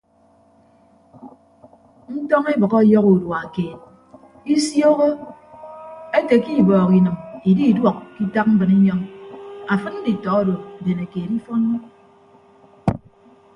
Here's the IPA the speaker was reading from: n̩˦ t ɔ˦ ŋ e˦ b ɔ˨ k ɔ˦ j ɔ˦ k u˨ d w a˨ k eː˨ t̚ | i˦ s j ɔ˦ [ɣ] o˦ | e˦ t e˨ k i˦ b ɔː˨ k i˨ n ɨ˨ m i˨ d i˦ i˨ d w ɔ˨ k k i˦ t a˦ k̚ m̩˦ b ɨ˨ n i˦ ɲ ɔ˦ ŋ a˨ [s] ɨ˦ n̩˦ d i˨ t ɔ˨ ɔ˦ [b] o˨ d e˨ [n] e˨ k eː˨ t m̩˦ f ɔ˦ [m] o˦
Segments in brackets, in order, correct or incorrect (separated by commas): correct, incorrect, incorrect, correct, incorrect